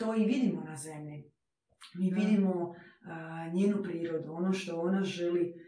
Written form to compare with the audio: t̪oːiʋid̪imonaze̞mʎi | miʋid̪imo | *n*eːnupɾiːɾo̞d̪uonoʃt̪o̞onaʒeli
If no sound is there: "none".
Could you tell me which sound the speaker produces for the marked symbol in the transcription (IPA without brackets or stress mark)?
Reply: ɲ